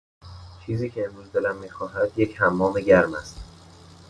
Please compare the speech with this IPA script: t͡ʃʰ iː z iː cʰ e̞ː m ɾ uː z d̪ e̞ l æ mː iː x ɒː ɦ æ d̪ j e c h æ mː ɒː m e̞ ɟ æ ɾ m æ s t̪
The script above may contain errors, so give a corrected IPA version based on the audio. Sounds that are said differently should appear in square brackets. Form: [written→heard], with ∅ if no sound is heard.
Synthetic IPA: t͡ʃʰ iː z iː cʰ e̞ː m ɾ uː z d̪ e̞ l æ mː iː x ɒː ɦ æ d̪ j e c h æ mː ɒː m e̞ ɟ æ ɾ m æ s t̪